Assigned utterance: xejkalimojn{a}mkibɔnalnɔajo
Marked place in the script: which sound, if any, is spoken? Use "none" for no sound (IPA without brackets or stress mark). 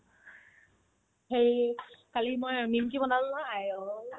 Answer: i